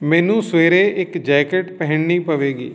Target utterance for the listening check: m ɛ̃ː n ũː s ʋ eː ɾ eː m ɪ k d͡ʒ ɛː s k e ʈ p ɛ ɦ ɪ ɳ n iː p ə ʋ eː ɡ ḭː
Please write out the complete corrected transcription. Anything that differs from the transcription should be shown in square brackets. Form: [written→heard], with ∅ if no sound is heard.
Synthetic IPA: m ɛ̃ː n ũː s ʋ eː ɾ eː [m→∅] ɪ k d͡ʒ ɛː [s→∅] k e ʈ p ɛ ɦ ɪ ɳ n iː p ə ʋ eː ɡ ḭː